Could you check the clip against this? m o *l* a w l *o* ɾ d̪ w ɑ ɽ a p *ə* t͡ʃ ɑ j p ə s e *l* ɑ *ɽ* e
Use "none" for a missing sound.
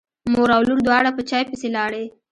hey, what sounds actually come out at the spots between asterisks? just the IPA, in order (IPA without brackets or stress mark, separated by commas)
ɾ, u, ə, l, ɽ